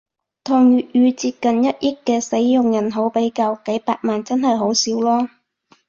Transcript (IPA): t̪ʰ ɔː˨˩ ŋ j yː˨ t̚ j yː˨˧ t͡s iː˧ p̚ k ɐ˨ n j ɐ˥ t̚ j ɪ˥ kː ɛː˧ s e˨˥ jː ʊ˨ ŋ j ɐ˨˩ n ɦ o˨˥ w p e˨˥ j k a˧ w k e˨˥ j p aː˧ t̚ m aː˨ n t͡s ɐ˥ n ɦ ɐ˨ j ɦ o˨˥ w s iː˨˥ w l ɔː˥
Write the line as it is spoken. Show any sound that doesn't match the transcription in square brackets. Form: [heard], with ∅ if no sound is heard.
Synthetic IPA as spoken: t̪ʰ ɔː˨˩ ŋ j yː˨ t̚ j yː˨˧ t͡s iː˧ p̚ k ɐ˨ n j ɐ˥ t̚ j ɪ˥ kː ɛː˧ s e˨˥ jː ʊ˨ ŋ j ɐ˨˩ n ɦ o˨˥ w p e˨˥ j k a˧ w k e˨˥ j p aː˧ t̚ m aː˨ n t͡s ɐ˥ n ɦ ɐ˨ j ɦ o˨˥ w s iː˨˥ w l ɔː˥